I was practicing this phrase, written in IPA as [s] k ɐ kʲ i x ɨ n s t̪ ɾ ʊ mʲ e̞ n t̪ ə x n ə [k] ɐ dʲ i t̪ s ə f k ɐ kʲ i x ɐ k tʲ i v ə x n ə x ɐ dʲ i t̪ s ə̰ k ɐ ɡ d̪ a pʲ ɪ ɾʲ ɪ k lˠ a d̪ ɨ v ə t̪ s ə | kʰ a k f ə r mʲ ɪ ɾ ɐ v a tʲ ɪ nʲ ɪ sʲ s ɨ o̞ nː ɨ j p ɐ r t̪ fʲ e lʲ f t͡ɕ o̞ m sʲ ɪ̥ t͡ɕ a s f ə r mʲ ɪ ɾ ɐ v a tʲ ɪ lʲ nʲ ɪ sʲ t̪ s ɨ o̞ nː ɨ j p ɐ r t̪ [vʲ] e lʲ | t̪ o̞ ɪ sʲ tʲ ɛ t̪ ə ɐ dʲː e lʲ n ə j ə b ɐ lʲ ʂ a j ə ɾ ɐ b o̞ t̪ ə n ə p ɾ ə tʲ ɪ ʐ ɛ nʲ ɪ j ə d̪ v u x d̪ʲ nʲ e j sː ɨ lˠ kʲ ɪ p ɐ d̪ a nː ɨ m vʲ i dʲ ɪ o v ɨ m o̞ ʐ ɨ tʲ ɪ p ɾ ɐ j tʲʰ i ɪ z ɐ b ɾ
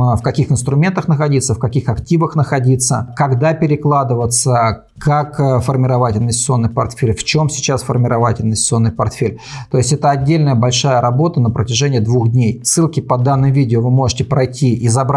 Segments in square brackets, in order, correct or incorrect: incorrect: f, incorrect: x, incorrect: fʲ

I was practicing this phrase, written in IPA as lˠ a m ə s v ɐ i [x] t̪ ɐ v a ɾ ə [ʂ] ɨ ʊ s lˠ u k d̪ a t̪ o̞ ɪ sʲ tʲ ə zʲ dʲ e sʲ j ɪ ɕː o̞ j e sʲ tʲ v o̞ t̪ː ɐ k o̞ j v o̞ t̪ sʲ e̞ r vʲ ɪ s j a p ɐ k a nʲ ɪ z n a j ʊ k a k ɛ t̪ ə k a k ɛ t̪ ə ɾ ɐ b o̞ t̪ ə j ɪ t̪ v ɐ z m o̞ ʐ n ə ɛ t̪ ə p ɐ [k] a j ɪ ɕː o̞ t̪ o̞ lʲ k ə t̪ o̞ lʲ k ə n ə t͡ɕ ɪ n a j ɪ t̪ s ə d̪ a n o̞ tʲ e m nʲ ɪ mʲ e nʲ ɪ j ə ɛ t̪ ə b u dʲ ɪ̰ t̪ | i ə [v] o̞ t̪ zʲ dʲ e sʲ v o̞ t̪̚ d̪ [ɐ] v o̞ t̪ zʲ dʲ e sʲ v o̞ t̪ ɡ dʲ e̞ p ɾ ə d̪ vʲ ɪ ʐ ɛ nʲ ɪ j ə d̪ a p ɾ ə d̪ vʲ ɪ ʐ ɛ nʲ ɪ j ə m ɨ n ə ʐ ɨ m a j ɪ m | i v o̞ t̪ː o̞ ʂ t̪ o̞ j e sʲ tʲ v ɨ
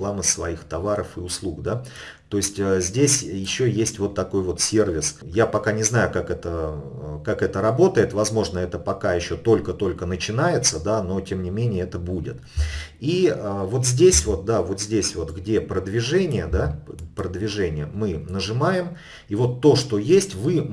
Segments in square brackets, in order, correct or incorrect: correct, incorrect: f, correct, correct, incorrect: a

